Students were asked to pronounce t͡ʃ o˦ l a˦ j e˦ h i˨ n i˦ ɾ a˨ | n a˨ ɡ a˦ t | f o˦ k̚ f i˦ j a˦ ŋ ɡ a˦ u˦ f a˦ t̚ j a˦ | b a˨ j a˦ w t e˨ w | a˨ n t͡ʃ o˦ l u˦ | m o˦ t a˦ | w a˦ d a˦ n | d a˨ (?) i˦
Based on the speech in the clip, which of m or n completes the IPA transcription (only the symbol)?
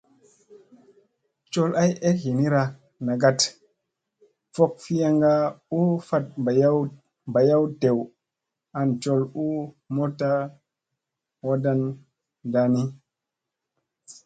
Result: n